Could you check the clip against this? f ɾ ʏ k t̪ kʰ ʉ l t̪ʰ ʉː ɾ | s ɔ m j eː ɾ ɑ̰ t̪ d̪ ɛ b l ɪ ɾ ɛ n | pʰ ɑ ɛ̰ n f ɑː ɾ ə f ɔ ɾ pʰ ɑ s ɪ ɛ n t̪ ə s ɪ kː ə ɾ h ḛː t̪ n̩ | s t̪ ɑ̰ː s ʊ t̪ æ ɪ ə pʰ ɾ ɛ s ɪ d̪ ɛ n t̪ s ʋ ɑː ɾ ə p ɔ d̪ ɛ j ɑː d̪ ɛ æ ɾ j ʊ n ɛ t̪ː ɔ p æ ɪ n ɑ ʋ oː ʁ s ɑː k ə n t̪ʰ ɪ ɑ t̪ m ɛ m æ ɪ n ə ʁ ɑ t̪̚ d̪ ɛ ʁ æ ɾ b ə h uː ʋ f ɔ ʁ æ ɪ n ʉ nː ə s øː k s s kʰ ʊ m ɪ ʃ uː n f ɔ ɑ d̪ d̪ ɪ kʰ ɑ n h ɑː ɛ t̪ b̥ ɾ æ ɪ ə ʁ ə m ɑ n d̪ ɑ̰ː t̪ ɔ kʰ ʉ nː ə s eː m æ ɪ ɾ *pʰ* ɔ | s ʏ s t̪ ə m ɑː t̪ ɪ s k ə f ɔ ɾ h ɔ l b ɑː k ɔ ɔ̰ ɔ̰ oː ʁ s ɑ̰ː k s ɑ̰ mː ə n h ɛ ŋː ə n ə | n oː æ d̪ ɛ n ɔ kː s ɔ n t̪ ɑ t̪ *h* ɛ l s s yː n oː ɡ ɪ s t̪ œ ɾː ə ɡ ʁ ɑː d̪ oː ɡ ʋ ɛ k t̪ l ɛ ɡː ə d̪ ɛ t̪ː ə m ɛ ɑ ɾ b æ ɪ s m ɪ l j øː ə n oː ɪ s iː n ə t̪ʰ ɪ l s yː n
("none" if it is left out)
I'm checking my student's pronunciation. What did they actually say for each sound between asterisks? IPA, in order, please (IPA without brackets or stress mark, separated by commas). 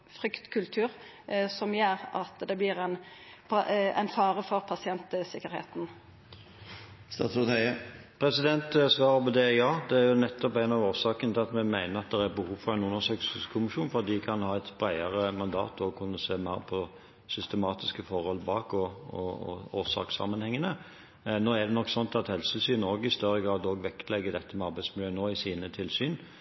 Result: pʰ, h